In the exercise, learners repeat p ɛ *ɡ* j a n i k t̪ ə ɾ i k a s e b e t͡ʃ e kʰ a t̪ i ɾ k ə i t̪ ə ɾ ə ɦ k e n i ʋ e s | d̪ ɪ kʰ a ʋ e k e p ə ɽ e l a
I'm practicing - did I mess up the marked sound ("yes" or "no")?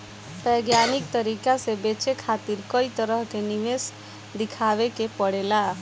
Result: no